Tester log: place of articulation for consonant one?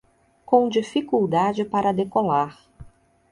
velar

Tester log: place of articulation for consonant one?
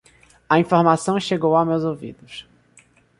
labial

